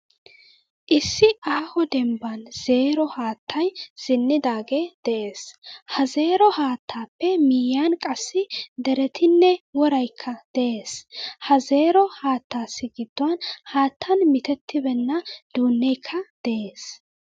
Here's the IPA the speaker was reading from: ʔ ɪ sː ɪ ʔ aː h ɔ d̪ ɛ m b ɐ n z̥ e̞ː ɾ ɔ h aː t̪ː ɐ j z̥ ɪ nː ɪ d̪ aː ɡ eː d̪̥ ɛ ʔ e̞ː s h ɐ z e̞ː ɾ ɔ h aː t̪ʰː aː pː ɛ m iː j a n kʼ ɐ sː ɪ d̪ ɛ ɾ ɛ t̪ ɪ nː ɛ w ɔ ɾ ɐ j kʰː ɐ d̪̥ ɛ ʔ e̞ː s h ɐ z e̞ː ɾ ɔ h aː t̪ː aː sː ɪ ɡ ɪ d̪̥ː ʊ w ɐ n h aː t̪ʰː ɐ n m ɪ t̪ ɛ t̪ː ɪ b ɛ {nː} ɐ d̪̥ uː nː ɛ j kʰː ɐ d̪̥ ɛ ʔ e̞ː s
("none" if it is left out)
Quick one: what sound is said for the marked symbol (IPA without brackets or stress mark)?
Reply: nː